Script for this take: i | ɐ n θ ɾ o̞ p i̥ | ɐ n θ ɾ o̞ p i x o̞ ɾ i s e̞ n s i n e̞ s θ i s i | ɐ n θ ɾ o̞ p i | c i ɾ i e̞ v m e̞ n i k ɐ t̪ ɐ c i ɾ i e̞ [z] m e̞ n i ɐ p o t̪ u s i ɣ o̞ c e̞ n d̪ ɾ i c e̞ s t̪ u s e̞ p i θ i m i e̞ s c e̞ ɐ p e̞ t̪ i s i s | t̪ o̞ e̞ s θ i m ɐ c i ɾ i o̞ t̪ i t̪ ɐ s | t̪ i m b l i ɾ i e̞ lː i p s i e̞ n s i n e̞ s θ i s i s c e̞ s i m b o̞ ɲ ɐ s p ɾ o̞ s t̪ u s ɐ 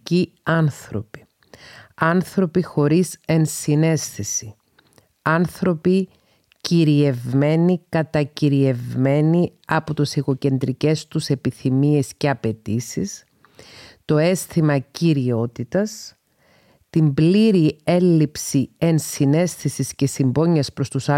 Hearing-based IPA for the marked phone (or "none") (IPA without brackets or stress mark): v